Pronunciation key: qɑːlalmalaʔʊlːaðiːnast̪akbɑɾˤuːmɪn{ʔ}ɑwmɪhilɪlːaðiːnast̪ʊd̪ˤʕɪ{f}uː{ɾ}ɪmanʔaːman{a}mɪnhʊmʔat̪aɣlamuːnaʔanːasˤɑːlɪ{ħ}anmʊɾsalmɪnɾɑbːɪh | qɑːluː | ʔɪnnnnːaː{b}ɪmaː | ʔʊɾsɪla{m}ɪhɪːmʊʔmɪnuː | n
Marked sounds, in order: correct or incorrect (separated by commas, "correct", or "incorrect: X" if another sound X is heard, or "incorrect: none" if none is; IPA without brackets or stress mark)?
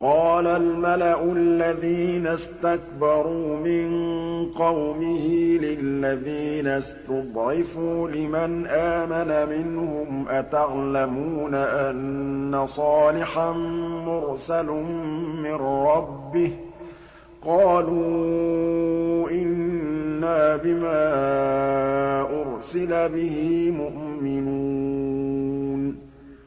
incorrect: q, correct, incorrect: l, correct, correct, correct, incorrect: b